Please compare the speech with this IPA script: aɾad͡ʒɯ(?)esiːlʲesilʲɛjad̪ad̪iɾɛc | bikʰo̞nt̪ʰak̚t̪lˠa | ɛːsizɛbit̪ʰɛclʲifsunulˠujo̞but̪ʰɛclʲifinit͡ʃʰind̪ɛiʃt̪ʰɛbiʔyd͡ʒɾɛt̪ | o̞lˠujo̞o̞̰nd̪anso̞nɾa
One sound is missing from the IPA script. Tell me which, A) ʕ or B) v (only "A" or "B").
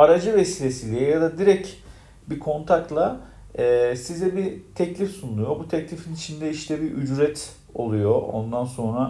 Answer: B